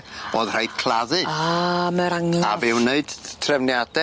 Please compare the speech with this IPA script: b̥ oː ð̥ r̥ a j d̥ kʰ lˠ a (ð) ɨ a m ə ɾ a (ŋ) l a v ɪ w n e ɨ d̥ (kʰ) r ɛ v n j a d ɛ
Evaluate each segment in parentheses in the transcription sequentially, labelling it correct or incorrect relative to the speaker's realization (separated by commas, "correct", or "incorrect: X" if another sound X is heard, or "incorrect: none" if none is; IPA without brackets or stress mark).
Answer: correct, correct, incorrect: tʰ